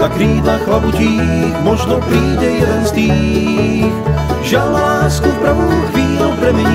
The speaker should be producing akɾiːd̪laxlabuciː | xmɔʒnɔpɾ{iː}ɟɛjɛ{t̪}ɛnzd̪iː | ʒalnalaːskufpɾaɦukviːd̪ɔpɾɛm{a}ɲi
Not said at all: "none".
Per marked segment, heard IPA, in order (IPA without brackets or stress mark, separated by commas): iː, d̪, ɛ